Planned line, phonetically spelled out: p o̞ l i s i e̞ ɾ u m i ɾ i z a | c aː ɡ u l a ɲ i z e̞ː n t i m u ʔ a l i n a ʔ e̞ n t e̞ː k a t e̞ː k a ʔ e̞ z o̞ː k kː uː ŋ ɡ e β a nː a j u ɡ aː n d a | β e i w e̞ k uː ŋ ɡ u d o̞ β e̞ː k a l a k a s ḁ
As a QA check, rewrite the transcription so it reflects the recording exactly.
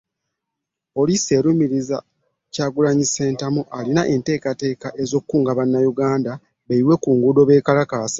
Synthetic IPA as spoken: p o̞ l i s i e̞ ɾ u m i ɾ i z a | c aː ɡ u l a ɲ i s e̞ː n t a m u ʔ a l i n a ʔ e̞ n t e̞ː k a t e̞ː k a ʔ e̞ z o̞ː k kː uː ŋ ɡ a β a nː a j u ɡ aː n d a | β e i w e̞ k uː ŋ ɡ u d o̞ β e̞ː k a l a k a s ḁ